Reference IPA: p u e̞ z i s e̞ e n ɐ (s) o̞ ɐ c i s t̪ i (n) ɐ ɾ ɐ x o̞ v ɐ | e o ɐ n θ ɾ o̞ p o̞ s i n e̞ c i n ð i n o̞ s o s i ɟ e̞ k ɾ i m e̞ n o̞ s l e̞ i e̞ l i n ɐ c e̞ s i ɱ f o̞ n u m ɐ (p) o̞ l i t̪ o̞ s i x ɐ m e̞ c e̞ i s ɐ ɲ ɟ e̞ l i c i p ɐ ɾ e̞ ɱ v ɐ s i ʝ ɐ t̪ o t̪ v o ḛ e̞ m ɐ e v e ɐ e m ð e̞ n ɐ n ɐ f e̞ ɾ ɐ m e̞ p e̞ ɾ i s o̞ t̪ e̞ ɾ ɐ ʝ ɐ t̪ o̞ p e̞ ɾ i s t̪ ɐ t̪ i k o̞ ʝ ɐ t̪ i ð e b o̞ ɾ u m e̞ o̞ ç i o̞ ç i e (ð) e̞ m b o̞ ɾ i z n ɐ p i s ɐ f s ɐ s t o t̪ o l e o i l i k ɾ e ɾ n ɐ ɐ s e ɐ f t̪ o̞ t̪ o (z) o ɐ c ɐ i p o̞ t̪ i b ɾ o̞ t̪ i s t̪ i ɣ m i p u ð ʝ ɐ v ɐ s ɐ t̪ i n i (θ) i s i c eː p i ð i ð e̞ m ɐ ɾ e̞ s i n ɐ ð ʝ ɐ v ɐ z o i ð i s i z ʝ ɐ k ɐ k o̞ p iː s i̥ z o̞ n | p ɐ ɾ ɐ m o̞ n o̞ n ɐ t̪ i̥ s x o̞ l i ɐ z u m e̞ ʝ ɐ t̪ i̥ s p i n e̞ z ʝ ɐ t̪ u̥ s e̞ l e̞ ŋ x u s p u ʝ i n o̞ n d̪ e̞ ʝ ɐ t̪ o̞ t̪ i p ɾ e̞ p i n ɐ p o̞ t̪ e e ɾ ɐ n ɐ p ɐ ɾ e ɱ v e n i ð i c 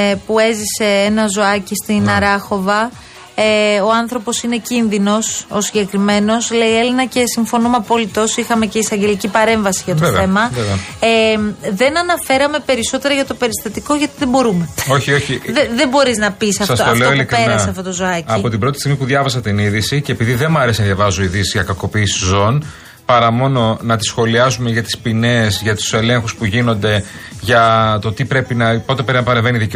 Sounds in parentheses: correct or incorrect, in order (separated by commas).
incorrect, correct, correct, correct, correct, incorrect